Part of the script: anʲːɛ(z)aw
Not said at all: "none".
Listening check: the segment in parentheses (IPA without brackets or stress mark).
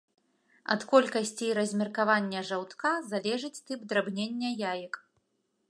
ʐ